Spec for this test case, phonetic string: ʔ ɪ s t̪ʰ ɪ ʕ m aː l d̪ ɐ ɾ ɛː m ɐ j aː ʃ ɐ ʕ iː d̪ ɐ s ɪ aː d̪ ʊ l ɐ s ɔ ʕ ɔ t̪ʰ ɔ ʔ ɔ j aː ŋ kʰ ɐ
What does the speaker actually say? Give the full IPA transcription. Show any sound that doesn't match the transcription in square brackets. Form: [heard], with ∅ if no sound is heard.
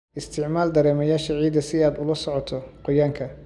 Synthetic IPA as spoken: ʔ ɪ s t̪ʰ ɪ ʕ m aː l d̪ ɐ ɾ ɛː m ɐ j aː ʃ ɐ ʕ iː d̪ ɐ s ɪ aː d̪ ʊ l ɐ s ɔ ʕ ɔ t̪ʰ ɔ [q] ɔ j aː ŋ kʰ ɐ